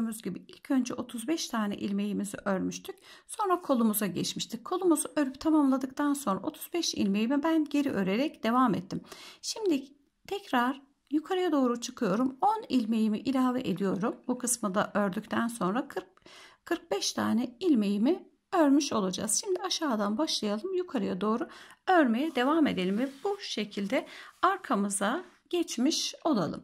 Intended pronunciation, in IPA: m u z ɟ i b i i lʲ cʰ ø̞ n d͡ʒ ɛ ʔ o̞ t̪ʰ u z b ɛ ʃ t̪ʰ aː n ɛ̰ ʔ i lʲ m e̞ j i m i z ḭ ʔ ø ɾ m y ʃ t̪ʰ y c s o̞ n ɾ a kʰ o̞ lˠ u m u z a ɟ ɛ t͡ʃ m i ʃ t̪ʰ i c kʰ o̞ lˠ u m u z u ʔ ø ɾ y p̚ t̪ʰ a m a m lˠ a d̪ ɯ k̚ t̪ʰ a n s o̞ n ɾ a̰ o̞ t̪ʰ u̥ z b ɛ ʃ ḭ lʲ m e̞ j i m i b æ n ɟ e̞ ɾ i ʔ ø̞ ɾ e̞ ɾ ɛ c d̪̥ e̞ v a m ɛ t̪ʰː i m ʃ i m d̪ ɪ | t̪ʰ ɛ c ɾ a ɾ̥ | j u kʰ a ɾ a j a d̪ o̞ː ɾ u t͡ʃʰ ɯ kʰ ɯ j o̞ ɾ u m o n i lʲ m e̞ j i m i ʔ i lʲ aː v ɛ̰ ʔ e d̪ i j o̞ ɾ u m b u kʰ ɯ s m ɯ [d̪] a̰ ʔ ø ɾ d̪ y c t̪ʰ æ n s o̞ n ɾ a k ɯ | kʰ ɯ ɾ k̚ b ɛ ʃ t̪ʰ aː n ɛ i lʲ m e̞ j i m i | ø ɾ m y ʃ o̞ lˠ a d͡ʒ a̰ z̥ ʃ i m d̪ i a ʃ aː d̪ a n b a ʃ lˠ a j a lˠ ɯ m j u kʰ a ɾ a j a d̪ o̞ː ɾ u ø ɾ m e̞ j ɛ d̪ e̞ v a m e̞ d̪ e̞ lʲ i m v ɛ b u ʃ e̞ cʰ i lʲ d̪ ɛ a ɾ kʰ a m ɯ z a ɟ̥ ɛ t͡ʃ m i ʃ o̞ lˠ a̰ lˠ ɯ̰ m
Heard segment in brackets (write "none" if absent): d̪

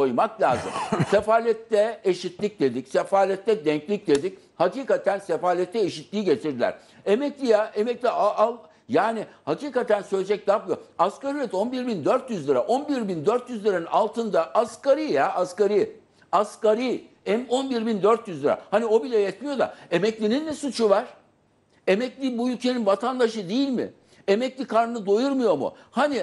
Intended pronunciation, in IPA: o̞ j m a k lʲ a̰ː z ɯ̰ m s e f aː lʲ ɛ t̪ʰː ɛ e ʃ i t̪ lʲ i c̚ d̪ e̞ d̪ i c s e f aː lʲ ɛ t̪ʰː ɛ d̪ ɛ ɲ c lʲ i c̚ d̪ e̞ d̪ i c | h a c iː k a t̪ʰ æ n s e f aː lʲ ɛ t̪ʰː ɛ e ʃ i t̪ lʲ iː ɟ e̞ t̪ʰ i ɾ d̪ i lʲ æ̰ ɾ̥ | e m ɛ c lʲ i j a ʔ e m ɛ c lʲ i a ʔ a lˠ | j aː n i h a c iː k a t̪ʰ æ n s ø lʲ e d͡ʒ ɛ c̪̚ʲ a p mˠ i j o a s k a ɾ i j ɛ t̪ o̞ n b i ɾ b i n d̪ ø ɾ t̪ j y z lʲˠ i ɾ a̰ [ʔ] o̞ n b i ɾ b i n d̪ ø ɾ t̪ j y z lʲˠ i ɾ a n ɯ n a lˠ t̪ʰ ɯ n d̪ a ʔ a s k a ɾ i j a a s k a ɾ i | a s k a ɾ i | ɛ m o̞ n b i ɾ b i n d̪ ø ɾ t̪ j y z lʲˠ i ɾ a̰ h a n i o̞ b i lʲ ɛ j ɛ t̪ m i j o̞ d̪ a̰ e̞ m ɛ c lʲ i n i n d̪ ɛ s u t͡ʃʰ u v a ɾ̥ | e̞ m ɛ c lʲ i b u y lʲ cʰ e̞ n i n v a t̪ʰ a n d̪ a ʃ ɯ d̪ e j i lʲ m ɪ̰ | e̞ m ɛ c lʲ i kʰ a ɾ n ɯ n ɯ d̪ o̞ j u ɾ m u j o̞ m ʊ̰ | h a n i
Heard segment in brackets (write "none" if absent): ʔ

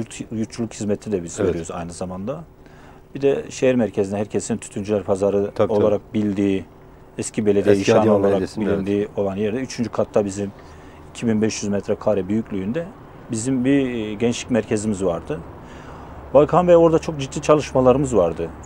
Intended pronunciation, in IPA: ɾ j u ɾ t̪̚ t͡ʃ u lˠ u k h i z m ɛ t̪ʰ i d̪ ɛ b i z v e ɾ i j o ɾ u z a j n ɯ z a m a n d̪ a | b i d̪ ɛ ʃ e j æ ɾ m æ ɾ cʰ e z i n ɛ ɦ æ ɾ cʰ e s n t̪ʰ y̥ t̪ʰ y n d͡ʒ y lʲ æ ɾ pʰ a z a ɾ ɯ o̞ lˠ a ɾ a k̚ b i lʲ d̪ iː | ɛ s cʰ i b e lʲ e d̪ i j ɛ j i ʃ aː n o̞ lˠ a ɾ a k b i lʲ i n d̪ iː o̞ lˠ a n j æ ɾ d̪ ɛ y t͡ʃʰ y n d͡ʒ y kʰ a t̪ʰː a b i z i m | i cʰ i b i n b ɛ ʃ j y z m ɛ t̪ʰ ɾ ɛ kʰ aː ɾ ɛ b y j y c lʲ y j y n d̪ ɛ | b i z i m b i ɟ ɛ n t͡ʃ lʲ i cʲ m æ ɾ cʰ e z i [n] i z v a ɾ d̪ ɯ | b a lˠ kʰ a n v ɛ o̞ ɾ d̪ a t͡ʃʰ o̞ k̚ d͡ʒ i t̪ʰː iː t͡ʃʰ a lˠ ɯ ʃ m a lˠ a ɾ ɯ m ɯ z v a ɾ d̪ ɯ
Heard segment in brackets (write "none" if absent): m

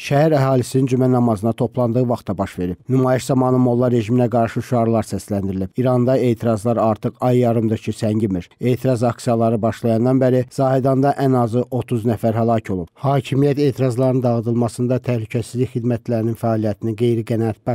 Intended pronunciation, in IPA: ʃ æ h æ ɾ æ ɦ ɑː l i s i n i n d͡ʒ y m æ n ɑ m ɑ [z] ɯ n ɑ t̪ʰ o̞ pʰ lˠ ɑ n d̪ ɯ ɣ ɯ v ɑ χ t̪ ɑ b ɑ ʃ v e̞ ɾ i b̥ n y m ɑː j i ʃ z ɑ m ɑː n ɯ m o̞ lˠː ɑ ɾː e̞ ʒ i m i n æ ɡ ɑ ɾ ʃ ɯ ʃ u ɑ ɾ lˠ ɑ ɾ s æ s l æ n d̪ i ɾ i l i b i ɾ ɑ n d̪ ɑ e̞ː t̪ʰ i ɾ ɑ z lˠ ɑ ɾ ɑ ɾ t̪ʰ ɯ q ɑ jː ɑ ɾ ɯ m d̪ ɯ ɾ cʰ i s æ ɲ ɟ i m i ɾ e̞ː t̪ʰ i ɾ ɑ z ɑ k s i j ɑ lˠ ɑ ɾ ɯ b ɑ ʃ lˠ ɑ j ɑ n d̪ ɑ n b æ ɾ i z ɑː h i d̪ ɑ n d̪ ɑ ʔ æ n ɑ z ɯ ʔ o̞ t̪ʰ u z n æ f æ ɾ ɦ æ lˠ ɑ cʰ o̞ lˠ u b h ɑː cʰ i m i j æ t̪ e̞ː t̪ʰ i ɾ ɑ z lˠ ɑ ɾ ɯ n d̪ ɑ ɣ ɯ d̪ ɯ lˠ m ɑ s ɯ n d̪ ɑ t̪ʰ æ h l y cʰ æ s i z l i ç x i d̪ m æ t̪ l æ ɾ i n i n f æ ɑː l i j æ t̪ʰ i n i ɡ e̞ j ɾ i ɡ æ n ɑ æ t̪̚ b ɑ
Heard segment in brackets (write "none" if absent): z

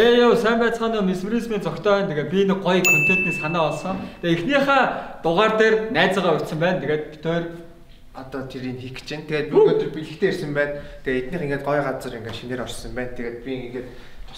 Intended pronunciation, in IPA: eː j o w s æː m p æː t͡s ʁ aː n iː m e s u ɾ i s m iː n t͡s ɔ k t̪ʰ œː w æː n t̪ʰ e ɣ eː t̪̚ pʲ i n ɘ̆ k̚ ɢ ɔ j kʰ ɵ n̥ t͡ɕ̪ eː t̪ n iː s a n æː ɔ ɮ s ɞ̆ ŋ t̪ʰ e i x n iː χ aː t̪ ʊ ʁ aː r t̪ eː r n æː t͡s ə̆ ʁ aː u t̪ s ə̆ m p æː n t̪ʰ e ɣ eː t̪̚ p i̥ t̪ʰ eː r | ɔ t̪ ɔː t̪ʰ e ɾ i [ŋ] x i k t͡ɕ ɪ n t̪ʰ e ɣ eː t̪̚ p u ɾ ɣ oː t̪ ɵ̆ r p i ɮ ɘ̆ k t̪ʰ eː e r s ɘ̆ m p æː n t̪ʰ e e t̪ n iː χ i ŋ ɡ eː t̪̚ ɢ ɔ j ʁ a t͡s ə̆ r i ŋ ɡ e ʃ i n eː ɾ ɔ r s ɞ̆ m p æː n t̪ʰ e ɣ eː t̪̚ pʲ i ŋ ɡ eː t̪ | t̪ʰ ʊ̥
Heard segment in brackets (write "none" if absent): n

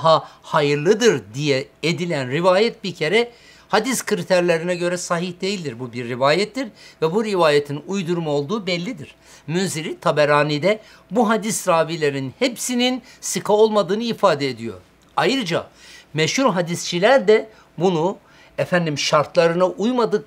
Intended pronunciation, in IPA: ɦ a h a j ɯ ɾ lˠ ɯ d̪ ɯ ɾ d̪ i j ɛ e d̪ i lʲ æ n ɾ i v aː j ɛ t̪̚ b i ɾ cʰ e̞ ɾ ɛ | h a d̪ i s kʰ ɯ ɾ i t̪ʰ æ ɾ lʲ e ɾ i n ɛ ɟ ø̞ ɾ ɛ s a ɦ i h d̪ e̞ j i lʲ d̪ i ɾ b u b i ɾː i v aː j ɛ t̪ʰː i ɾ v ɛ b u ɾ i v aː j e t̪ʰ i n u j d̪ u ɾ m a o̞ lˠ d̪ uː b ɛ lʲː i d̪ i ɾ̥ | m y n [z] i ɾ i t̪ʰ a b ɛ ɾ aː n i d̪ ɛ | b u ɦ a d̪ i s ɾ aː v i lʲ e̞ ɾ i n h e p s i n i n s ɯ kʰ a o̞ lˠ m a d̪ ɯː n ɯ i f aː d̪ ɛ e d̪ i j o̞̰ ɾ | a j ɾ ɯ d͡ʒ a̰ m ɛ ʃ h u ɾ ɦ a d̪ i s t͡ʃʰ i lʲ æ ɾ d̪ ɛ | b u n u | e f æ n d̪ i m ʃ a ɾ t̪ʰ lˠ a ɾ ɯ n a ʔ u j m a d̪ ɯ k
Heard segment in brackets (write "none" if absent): z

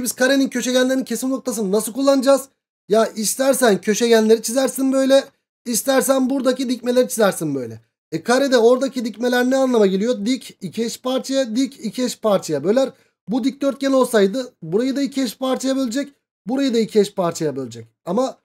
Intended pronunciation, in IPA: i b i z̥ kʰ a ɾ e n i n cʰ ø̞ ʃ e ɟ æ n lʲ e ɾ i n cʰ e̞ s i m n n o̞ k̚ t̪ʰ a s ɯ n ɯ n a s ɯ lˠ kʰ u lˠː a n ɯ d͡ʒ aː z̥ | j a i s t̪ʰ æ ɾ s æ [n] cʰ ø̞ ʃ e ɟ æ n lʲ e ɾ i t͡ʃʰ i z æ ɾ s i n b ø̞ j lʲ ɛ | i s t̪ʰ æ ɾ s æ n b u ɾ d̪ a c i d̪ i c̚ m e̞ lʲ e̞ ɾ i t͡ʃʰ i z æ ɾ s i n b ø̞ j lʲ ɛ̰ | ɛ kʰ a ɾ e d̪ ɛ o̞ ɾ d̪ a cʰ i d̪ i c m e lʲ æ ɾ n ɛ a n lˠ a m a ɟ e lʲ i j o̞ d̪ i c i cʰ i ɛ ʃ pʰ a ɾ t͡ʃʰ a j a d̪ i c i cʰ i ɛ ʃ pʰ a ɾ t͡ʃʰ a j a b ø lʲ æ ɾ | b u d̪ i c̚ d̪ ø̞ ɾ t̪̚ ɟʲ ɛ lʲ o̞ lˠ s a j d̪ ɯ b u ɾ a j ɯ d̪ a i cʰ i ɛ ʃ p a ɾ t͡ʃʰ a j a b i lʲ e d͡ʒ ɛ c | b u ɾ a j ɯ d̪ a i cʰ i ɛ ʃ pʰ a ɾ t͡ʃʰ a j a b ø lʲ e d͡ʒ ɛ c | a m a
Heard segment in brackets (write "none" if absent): n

